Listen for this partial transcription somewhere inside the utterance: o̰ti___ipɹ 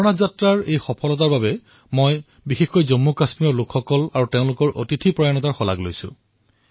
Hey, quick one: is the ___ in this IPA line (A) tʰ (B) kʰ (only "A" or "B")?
A